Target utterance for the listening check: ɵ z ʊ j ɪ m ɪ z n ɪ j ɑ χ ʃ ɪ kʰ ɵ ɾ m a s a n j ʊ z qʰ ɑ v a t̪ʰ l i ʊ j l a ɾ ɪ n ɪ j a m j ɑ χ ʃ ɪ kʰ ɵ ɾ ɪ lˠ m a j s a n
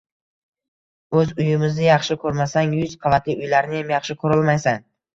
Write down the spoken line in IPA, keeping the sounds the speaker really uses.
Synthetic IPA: ɵ z ʊ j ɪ m ɪ z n ɪ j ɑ χ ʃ ɪ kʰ ɵ ɾ m a s a ŋ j ʊ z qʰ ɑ v a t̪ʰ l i ʊ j l a ɾ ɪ n ɪ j a m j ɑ χ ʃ ɪ kʰ ɵ ɾ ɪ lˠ m a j s a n